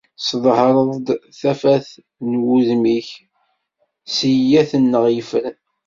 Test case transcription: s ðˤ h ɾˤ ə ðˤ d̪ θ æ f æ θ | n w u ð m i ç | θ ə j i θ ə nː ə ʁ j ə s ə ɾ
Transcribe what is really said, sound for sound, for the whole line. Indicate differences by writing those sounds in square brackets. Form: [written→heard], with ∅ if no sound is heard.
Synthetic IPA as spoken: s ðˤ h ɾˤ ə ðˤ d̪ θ æ f æ θ | n w u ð m i ç | [θ→s] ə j [i→æ] θ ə nː ə ʁ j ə [s→f] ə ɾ